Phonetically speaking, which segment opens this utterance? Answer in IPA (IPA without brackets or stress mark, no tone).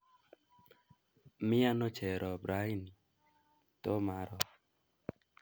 m